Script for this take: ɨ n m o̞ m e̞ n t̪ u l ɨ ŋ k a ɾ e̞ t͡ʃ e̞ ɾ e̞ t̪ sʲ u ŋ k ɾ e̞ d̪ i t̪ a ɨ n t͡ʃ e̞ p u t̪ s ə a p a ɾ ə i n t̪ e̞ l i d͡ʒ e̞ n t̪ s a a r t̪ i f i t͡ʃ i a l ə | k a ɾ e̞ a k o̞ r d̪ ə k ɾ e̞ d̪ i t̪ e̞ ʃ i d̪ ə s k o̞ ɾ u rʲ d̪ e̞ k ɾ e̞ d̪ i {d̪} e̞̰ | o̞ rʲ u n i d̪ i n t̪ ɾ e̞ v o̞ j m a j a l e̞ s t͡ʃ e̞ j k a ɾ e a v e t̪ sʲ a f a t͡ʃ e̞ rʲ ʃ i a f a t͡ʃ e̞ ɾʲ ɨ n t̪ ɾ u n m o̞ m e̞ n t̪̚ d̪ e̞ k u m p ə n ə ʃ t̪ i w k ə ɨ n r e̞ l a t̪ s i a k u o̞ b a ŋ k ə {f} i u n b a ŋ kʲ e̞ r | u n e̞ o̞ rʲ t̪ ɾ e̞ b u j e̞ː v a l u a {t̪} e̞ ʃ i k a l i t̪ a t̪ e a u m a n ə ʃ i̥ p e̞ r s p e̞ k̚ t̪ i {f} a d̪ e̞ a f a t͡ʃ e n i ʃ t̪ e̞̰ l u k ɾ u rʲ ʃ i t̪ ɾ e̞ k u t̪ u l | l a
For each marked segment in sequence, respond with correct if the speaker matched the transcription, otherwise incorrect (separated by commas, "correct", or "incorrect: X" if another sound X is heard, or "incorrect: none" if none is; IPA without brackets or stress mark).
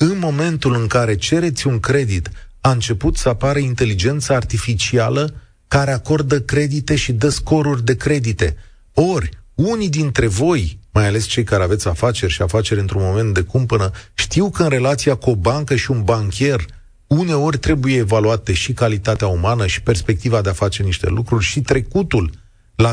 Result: incorrect: t̪, incorrect: ʃ, correct, incorrect: v